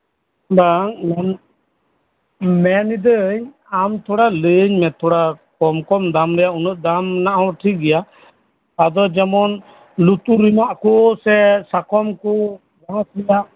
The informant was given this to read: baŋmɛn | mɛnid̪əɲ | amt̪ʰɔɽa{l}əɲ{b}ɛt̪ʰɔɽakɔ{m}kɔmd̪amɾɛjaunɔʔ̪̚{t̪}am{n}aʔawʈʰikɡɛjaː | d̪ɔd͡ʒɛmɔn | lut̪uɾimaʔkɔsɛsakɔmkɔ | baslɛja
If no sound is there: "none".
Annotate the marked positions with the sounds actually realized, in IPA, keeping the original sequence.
l, m, m, d̪, n

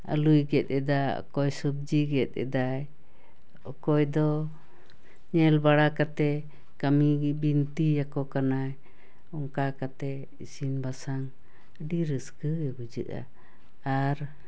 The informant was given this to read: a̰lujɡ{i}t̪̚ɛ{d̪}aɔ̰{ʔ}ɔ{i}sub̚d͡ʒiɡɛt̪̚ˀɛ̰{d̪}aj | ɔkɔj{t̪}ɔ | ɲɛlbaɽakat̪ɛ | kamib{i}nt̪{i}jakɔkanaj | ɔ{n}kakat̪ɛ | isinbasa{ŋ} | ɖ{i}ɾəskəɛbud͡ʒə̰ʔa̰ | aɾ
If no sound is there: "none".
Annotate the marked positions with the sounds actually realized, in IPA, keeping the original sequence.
ɛ, d̪, k, j, d̪, d̪, i, i, ŋ, ŋ, i

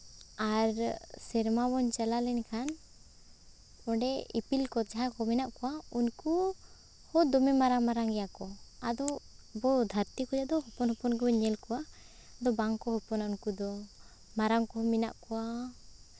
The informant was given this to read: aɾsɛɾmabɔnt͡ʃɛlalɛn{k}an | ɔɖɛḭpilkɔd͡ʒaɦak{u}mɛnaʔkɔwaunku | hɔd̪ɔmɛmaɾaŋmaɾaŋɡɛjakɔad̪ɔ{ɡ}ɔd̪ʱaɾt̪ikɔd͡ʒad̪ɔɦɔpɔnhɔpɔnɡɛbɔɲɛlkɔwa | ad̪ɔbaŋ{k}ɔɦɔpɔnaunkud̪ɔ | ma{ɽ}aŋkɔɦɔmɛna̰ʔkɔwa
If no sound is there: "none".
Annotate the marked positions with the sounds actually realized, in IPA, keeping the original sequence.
kʰ, ɔ, b, k, ɾ

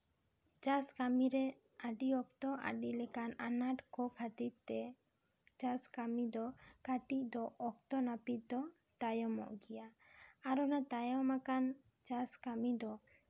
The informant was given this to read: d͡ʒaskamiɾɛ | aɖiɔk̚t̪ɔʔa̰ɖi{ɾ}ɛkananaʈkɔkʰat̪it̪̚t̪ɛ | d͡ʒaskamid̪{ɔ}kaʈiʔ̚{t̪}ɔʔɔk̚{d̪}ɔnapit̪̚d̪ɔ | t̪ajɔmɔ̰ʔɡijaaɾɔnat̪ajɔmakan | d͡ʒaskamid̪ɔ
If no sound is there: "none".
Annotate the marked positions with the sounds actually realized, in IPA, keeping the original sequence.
l, ɔ, d̪, t̪

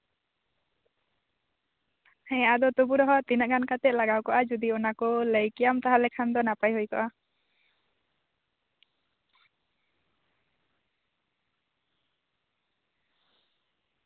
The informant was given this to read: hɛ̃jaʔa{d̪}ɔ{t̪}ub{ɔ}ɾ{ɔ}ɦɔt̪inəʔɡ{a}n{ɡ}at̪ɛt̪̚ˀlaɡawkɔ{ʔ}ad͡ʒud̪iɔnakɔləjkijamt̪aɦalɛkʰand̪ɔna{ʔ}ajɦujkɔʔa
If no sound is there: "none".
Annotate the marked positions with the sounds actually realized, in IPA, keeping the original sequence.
d̪, t̪, u, ɔ, a, k, ʔ, p

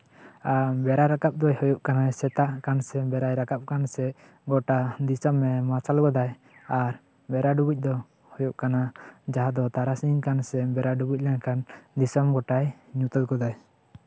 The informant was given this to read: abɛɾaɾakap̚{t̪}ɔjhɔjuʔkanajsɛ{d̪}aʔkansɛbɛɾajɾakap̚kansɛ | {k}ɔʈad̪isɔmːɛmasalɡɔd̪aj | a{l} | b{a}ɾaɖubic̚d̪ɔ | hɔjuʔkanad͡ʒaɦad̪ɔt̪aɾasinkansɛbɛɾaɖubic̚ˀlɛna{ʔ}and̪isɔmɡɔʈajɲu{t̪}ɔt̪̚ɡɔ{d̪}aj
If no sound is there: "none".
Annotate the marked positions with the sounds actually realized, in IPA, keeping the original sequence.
d̪, t̪, ɡ, ɾ, ɛ, k, t̪, d̪

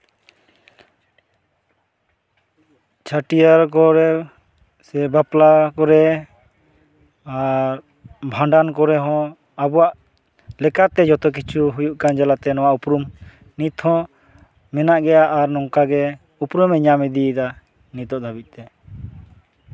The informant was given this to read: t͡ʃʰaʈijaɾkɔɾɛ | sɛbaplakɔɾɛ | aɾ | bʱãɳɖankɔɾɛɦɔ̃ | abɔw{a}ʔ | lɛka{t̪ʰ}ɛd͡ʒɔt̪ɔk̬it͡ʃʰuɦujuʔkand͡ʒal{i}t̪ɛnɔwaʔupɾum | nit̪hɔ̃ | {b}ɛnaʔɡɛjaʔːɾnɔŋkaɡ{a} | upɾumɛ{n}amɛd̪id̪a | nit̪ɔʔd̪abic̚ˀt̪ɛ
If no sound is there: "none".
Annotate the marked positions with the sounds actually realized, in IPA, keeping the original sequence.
a, t̪, a, m, ɛ, ɲ

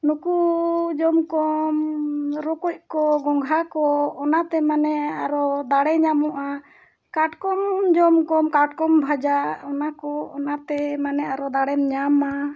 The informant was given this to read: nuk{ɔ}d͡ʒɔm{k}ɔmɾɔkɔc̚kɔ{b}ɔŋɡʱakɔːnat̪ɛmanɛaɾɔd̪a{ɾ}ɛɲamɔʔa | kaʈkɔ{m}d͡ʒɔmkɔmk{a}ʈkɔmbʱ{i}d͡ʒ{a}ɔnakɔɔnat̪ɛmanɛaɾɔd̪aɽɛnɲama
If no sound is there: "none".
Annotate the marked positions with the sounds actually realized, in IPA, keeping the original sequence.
u, k, ɡ, ɽ, m, a, a, a

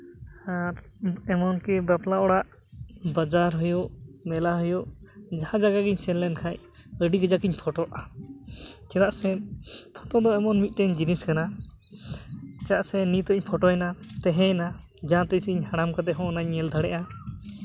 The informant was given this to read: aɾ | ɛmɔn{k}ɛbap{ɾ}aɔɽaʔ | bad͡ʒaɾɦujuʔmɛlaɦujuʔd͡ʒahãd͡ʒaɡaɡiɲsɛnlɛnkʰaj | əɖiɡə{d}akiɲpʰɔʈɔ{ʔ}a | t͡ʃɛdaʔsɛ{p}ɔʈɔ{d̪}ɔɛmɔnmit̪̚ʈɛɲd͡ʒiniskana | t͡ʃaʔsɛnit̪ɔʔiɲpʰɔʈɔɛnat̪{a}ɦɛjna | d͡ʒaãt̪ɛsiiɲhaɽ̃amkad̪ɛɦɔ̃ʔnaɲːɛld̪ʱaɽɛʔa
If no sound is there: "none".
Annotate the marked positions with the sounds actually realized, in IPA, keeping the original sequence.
k, l, d͡ʒ, ʔ, pʰ, d̪, ɛ

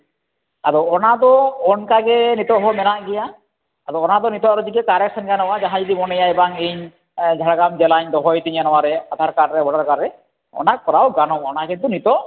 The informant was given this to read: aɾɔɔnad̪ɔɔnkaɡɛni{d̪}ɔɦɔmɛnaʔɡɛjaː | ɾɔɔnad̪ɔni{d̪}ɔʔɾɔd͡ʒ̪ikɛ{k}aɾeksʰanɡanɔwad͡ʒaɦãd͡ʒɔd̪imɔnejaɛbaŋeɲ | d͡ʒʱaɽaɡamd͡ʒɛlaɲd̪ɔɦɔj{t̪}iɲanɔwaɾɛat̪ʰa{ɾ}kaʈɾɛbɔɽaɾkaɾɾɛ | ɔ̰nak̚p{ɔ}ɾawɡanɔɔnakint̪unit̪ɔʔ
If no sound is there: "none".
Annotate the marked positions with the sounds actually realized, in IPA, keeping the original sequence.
t̪, t̪, k, t̪, ɾ, ɔ

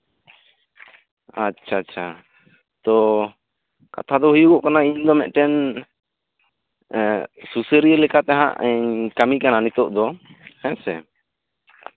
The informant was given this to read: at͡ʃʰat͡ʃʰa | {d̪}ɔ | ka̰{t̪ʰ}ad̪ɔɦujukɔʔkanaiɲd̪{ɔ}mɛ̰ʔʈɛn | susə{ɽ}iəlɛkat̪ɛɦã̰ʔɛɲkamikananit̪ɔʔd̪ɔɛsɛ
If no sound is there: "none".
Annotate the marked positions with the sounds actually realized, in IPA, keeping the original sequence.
t̪, t̪ʰ, ɔ, ɾ

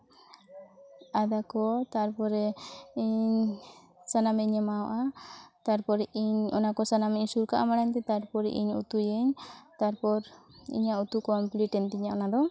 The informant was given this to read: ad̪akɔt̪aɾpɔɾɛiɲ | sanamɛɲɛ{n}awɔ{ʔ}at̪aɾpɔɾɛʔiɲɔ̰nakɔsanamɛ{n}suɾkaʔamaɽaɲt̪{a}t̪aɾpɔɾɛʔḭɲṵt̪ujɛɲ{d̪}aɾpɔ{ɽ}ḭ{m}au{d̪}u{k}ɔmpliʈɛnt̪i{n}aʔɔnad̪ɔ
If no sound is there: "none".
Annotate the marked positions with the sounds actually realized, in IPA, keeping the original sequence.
m, ʔ, ɲ, ɛ, t̪, ɾ, ɲ, t̪, k, ɲ

